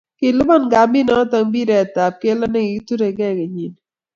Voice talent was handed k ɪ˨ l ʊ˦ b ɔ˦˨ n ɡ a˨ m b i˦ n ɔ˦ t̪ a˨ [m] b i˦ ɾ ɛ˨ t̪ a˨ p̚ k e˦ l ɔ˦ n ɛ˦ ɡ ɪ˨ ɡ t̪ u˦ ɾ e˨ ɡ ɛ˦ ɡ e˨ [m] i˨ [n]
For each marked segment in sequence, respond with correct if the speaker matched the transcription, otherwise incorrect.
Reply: incorrect, incorrect, correct

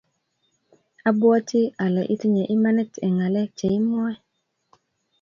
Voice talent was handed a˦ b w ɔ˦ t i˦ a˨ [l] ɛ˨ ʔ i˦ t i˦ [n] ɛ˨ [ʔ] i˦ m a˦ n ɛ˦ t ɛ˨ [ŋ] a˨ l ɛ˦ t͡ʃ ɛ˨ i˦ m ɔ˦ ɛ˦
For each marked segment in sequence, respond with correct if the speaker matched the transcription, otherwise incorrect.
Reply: correct, incorrect, correct, correct

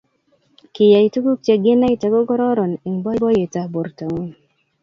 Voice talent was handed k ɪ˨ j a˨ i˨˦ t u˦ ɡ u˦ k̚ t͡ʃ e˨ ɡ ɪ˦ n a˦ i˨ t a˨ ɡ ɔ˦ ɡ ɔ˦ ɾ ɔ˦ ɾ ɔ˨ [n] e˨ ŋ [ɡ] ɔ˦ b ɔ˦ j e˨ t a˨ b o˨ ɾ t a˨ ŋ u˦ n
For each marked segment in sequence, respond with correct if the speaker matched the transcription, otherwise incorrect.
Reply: correct, incorrect

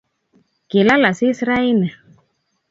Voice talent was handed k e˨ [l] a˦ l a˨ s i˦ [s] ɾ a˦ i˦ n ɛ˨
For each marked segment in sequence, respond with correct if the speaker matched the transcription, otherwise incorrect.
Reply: correct, correct

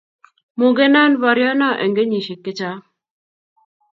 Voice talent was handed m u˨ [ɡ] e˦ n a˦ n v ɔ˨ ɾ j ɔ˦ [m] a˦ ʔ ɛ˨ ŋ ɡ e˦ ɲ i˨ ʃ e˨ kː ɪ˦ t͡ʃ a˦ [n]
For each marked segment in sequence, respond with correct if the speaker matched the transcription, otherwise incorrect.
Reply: correct, incorrect, incorrect

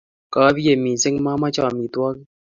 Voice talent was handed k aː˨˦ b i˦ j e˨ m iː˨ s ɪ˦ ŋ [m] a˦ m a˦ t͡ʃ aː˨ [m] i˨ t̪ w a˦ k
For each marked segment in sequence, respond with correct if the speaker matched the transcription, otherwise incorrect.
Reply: correct, correct

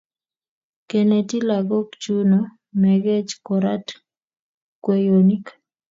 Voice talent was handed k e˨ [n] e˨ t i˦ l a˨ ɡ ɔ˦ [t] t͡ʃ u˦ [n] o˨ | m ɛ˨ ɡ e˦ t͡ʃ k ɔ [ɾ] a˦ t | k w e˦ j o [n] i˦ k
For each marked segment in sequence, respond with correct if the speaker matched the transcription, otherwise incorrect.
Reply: correct, incorrect, correct, correct, correct

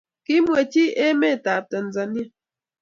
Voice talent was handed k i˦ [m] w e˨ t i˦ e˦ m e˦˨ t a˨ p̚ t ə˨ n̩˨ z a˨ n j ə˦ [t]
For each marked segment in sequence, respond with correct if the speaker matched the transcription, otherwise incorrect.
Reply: correct, incorrect

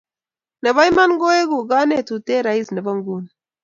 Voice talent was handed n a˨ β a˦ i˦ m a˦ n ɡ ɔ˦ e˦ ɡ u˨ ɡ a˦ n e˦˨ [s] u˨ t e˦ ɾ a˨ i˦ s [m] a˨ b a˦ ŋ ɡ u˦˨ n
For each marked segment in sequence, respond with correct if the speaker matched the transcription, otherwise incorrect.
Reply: incorrect, incorrect

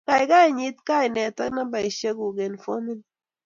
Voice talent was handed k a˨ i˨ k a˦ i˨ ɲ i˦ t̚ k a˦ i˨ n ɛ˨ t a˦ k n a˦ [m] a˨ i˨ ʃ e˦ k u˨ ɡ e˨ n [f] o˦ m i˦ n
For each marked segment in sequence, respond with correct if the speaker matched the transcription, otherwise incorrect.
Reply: incorrect, correct

